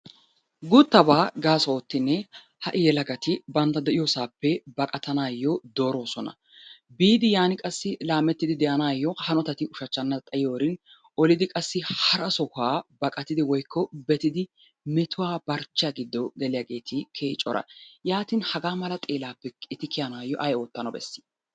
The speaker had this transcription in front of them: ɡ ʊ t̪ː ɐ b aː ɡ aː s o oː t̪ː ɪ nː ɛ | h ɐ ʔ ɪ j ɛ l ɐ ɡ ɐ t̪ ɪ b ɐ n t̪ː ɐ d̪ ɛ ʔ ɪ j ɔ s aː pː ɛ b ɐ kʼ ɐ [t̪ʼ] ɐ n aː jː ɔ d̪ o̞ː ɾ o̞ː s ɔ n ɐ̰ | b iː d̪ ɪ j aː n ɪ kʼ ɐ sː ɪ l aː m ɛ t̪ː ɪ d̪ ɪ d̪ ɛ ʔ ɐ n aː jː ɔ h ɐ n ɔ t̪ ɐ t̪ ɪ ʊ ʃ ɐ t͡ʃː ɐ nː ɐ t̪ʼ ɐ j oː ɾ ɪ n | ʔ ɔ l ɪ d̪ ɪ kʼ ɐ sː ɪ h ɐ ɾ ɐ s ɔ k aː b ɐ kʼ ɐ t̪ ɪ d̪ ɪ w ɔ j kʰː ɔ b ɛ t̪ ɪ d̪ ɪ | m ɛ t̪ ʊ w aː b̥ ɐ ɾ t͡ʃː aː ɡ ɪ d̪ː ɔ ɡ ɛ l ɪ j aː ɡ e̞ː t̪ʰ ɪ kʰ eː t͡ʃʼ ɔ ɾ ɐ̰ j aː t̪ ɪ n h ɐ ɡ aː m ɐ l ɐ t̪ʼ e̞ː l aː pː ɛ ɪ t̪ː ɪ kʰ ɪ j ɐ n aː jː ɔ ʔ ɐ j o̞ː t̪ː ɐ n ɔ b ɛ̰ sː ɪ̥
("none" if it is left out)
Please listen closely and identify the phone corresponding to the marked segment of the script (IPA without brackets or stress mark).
t̪